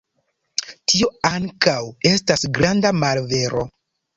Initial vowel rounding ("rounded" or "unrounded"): unrounded